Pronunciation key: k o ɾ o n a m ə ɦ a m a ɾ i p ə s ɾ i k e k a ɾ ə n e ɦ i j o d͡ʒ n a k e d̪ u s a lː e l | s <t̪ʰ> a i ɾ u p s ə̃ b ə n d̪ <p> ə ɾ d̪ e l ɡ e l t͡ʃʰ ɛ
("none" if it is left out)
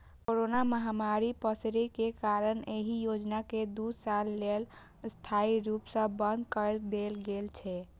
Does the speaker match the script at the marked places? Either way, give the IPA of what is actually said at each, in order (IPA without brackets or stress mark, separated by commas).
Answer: t̪ʰ, k